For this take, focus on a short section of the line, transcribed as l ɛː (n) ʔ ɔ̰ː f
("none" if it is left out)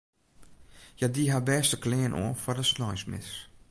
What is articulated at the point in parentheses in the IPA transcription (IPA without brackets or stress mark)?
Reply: n